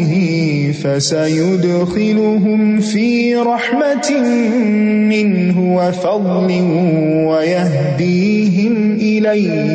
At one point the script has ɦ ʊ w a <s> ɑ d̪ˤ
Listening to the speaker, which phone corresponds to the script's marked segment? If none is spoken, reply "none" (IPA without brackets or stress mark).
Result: f